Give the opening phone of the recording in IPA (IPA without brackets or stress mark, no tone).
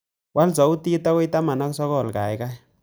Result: w